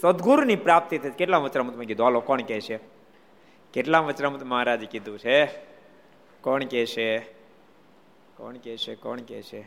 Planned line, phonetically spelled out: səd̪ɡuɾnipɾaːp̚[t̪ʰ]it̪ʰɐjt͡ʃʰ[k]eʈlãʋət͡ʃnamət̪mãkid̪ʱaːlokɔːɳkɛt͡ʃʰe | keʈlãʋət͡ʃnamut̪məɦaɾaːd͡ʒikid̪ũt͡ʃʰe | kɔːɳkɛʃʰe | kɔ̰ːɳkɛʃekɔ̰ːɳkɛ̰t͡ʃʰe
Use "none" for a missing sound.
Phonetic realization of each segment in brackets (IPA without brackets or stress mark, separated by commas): t̪, k